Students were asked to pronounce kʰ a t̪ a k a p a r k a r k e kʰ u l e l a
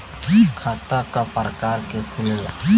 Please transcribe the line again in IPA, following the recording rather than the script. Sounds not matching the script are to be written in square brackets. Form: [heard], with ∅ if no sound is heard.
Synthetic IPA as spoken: kʰ a t̪ a k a p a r k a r k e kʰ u l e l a